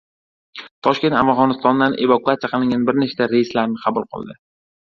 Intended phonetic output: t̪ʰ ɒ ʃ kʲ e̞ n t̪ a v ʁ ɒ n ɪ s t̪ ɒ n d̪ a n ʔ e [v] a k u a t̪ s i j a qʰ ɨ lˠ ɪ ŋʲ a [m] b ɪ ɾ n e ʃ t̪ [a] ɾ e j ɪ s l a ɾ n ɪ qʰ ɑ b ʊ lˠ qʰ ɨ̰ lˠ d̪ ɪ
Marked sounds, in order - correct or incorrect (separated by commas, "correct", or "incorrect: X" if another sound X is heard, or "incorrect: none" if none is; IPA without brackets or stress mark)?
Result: correct, incorrect: n, correct